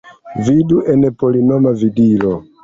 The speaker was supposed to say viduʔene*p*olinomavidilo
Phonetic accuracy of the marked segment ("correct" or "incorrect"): correct